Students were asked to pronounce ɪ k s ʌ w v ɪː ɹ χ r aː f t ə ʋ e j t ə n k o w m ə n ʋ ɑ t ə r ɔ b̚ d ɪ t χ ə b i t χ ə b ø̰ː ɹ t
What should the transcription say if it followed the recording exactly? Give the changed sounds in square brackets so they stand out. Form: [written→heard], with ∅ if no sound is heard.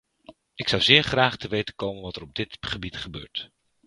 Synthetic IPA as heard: ɪ k s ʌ w [v→z] ɪː ɹ χ r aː [f→χ] t ə ʋ e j t ə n k o w m ə n ʋ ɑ t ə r ɔ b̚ d ɪ t χ ə b i t χ ə b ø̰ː ɹ t